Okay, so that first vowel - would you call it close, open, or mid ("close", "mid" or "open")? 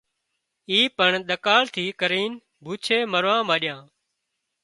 close